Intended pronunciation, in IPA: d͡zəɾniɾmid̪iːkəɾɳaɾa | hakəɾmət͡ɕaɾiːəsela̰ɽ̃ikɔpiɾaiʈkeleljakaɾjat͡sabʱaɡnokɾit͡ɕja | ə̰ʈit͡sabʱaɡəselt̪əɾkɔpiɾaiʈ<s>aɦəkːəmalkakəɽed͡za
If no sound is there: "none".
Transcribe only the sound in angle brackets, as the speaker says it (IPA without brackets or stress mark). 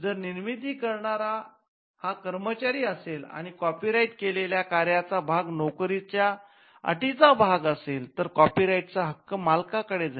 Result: t͡s